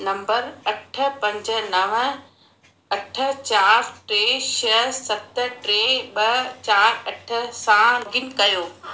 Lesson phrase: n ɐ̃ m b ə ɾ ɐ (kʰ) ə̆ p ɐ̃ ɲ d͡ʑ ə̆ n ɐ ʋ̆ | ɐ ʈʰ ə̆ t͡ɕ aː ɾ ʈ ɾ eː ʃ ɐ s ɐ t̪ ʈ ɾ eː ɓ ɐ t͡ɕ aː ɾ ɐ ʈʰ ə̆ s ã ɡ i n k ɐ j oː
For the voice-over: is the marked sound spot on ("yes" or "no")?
no